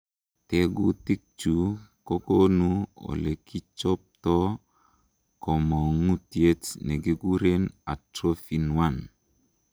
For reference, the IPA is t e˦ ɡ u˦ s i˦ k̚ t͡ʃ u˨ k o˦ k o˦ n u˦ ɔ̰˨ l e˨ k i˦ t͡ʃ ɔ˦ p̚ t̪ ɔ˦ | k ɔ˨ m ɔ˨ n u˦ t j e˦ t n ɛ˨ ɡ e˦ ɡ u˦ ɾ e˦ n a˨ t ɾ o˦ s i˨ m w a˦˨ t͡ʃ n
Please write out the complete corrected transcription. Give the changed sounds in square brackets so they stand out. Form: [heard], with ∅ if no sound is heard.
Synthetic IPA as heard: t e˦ ɡ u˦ [t] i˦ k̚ t͡ʃ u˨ k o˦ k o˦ n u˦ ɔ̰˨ l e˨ k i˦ t͡ʃ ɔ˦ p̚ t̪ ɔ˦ | k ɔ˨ m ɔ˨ [ŋ] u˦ t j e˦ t n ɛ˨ ɡ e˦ ɡ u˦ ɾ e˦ n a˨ t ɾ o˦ [f] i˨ [n] w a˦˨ [∅] n